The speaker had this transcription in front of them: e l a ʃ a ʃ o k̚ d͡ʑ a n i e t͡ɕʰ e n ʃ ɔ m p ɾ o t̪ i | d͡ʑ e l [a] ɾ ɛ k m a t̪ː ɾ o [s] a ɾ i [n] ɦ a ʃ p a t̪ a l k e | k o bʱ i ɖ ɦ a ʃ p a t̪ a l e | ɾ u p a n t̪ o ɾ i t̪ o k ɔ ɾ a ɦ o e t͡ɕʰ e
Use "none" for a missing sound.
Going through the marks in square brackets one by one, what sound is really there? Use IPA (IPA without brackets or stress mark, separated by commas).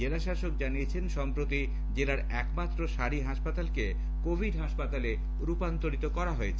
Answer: a, ʃ, none